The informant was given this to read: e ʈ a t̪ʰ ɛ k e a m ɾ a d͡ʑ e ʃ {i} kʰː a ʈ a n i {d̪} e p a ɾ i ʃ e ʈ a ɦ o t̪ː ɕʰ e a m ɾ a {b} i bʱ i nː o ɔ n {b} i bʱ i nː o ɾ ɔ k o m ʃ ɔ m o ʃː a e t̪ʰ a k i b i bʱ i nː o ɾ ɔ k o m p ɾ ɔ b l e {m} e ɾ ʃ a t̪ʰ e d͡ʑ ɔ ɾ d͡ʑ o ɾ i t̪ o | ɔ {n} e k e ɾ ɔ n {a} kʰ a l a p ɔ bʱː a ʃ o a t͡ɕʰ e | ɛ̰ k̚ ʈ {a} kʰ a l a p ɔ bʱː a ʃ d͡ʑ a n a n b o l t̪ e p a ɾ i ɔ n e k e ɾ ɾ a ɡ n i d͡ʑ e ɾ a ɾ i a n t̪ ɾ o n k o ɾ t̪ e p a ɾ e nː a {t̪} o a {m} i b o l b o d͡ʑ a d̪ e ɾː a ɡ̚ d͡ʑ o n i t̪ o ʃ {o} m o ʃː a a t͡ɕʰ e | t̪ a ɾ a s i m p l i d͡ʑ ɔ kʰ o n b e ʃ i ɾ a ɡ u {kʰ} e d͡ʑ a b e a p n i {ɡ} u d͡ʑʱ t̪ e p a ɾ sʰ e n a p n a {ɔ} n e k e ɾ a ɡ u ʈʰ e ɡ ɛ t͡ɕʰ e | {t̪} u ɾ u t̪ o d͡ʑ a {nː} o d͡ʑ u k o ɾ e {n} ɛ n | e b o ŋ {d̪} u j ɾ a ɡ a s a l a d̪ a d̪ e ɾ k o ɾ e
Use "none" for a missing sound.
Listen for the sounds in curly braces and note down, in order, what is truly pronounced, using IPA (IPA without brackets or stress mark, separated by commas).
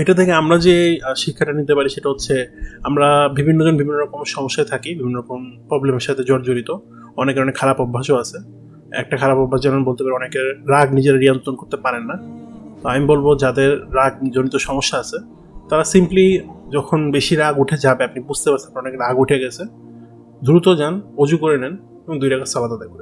i, t̪, b, b, m, n, e, a, t̪, m, ɔ, ʈʰ, b, ɔ, d̪, n, n, d̪